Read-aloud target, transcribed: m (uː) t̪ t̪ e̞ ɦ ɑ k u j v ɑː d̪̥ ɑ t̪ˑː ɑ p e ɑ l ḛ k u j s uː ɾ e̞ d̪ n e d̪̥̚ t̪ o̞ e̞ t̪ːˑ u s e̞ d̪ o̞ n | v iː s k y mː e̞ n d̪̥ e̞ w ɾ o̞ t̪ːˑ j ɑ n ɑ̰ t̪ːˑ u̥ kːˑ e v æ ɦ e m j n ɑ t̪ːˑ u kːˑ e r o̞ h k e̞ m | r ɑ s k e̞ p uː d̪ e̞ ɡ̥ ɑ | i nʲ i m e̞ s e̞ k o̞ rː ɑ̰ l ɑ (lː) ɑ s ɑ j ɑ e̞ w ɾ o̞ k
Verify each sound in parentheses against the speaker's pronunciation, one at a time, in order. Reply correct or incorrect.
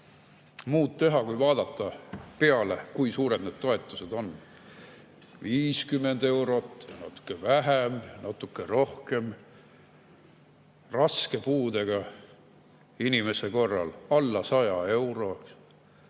correct, correct

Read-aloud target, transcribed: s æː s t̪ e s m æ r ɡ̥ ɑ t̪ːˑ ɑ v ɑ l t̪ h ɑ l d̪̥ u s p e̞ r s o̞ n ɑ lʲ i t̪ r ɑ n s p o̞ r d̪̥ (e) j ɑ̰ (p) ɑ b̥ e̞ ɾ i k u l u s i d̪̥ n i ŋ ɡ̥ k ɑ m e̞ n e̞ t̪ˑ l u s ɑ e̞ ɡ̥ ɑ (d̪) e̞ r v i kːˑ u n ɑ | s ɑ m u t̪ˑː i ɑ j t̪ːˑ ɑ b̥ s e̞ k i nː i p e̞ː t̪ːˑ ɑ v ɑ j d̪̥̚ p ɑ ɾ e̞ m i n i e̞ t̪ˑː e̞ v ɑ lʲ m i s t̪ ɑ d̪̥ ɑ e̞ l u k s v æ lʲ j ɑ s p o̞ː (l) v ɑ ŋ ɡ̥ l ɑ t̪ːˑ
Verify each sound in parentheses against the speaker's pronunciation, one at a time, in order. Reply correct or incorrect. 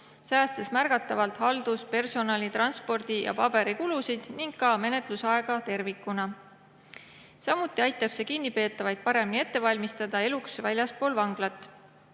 incorrect, correct, incorrect, correct

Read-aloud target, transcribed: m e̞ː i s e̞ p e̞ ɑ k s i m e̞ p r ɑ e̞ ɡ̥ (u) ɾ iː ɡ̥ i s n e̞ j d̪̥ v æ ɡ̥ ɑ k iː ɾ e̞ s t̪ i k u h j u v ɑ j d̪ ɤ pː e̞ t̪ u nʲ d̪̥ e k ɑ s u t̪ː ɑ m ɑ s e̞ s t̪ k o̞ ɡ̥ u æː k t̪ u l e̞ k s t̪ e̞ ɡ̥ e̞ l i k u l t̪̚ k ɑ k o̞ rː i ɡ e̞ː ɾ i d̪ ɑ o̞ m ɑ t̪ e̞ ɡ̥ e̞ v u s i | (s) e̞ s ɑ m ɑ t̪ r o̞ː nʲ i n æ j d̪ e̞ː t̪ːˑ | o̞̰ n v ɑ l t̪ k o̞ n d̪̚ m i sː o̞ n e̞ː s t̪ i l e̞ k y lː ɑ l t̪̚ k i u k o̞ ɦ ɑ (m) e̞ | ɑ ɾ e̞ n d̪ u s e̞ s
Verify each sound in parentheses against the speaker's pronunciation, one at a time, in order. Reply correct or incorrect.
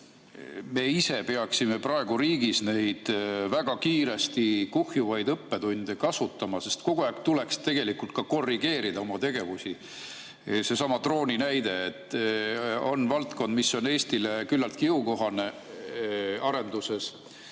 correct, correct, incorrect

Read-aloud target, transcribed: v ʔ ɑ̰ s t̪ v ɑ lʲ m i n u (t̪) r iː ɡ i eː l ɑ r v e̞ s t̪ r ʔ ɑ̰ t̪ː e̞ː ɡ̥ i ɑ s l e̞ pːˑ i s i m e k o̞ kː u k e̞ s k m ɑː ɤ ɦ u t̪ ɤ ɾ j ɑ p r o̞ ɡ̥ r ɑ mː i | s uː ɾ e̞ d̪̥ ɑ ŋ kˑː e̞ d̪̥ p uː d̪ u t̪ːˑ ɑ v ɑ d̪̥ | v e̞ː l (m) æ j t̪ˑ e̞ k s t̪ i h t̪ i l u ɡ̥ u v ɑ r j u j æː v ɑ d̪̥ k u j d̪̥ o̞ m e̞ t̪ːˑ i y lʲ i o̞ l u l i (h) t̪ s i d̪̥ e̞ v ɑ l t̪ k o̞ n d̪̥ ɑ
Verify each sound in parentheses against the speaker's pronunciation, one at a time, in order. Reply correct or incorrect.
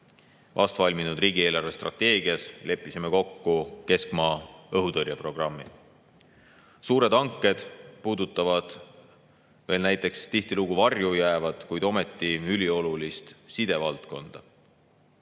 incorrect, incorrect, incorrect

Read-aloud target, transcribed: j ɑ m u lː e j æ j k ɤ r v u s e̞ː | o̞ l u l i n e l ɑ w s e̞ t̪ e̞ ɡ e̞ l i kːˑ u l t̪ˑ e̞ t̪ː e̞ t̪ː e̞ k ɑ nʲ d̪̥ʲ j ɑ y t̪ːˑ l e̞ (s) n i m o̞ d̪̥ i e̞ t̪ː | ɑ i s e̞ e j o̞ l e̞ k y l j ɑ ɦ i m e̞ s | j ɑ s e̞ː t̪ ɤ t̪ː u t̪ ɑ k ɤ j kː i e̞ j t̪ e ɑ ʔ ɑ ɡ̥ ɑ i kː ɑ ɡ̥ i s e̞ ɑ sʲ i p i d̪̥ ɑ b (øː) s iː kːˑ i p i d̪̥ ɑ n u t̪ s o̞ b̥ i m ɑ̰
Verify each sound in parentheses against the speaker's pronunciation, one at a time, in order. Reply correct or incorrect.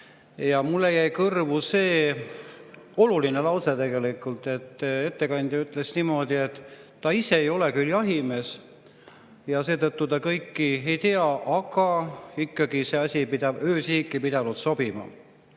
correct, correct

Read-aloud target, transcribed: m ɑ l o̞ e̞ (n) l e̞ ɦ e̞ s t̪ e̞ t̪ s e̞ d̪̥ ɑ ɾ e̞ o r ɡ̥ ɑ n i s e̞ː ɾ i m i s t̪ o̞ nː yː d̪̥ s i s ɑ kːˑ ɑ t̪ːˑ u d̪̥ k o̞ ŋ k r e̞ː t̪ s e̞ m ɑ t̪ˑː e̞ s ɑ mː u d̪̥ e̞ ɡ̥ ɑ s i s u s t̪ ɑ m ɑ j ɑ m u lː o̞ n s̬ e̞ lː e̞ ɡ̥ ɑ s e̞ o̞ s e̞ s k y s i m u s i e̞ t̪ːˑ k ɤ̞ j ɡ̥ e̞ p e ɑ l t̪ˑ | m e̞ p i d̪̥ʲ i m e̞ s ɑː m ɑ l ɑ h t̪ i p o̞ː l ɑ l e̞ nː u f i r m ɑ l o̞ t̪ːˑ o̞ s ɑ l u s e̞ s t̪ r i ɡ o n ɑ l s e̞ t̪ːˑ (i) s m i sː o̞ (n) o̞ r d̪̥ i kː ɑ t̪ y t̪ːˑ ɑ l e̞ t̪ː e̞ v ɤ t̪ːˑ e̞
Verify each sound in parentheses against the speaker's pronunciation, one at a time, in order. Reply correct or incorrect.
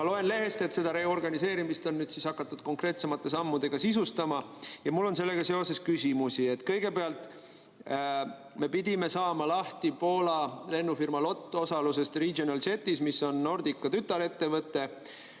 correct, correct, incorrect

